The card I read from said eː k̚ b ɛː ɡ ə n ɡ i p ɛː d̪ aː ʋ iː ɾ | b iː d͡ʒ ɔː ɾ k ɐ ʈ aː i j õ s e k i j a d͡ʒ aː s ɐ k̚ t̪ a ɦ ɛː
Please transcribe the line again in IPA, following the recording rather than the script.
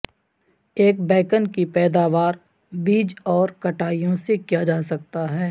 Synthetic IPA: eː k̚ b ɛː k ə n k i p ɛː d̪ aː ʋ aː ɾ | b iː d͡ʒ ɔː ɾ k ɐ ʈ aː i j õ s e k i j a d͡ʒ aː s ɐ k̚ t̪ a ɦ ɛː